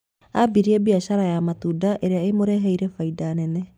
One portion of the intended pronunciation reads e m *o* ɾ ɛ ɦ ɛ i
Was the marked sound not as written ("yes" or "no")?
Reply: no